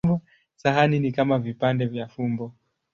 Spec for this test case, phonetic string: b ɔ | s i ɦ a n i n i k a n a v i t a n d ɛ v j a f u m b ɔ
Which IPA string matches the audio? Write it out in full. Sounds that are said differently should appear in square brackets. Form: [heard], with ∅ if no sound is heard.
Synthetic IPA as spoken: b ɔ | s [a] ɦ a n i n i k a [m] a v i [p] a n d ɛ v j a f u m b ɔ